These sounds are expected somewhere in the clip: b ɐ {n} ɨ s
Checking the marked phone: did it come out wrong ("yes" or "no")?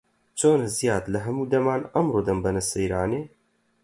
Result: no